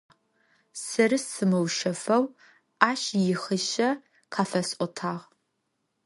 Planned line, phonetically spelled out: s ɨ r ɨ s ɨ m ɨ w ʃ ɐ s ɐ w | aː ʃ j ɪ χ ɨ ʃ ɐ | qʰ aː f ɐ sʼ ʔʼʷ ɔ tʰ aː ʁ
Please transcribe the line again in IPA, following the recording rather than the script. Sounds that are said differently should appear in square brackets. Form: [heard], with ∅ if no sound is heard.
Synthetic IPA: s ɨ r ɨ s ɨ m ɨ w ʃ ɐ [f] ɐ w | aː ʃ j ɪ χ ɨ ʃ ɐ | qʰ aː f ɐ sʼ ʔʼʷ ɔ tʰ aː ʁ